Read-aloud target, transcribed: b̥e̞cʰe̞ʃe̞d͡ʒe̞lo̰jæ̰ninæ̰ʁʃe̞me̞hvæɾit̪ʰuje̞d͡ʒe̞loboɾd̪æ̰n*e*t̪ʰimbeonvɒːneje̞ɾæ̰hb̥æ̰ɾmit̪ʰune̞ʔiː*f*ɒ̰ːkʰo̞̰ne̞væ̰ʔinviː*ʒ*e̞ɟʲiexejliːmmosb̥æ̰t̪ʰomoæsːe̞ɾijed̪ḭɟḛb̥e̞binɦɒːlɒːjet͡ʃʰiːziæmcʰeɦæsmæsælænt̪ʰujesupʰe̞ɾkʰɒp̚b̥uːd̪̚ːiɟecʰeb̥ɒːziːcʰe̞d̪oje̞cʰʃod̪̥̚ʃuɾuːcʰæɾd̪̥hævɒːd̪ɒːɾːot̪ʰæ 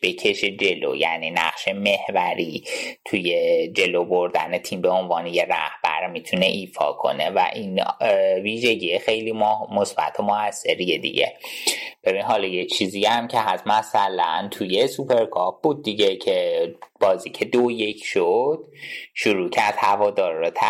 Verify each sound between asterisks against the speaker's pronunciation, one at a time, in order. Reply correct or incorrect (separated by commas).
correct, correct, correct